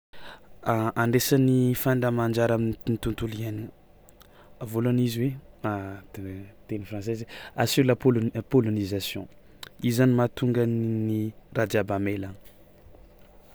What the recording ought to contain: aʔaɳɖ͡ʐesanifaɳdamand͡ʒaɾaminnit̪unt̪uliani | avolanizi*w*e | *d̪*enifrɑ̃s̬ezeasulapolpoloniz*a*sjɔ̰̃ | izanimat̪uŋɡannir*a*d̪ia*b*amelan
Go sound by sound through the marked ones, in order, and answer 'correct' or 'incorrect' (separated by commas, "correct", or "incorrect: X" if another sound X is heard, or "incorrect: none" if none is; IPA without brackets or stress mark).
correct, incorrect: t̪, correct, correct, correct